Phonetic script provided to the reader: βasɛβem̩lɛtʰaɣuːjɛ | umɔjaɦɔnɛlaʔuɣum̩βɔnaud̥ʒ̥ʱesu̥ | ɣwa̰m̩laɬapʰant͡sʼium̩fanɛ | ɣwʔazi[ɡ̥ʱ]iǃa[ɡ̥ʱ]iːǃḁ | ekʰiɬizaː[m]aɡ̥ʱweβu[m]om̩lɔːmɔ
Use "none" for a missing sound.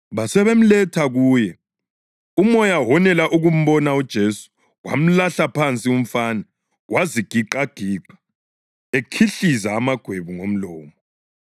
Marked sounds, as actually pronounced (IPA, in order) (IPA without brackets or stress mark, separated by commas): ɡ̥ʱ, ɡ̥ʱ, m, ŋ